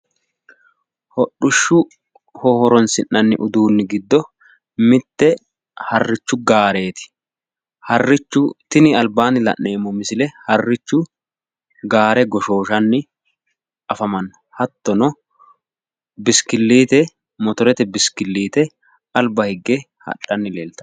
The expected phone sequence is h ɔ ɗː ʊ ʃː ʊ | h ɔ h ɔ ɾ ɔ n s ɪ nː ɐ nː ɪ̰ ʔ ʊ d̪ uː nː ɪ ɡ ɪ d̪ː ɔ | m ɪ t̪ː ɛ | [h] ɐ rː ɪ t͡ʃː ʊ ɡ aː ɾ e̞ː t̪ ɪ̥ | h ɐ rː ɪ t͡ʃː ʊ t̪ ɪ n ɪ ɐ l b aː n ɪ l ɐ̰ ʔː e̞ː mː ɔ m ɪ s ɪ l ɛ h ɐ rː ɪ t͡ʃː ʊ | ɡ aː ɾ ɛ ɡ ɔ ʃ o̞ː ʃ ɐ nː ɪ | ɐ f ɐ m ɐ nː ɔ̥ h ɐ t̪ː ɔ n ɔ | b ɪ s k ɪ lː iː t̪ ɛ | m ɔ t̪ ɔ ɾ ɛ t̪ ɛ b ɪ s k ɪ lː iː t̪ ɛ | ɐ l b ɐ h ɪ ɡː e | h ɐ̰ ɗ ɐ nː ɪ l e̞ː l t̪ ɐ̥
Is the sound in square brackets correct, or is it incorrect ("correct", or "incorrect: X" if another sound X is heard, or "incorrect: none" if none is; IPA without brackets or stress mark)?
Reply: correct